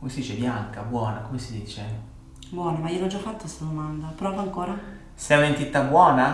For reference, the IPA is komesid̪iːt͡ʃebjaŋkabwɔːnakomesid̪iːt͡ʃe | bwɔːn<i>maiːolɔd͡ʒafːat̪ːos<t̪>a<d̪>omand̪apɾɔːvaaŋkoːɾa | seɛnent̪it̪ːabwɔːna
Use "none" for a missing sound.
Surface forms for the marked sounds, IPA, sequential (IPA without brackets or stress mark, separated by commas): a, t̪, d̪